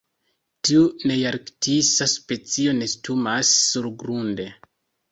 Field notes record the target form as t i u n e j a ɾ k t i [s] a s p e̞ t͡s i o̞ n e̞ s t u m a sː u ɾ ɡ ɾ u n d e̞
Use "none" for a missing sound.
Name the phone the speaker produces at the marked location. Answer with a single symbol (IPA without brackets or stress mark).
s